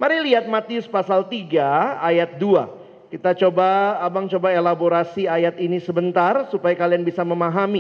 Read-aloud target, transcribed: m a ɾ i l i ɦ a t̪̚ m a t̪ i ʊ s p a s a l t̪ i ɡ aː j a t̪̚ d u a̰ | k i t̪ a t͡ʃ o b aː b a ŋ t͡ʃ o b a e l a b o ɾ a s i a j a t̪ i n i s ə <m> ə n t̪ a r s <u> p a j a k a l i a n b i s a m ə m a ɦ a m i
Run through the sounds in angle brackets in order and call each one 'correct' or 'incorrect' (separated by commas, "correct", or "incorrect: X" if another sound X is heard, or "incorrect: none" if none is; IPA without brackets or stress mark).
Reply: incorrect: b, correct